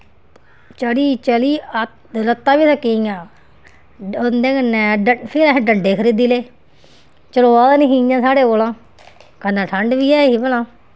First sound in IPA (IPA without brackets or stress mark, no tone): t͡ʃ